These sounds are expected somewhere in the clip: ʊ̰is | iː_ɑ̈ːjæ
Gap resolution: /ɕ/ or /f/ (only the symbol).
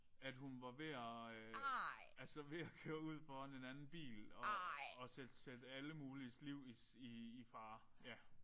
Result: f